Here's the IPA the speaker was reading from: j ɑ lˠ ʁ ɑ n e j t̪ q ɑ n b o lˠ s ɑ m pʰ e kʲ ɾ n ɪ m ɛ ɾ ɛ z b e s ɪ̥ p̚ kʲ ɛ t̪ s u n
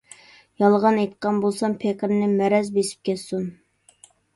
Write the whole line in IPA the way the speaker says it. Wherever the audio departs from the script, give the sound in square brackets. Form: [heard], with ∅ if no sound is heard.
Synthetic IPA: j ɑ lˠ ʁ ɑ n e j t̪ q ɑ n b o lˠ s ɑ m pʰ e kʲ ɾ n ɪ m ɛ ɾ ɛ z b e s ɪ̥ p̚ kʲ ɛ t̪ s u n